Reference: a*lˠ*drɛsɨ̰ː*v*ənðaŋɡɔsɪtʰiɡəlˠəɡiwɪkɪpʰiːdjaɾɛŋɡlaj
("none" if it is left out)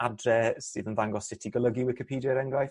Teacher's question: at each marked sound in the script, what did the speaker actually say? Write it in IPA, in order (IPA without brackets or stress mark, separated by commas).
none, ð